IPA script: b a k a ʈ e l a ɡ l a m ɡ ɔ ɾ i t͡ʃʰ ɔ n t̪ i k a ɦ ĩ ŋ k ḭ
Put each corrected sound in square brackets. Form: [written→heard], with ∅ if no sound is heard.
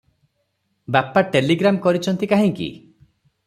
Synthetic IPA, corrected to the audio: b a [k→p] a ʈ e l [a→i] ɡ [l→ɾ] a m [ɡ→k] ɔ ɾ i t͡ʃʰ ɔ n t̪ i k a ɦ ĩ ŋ k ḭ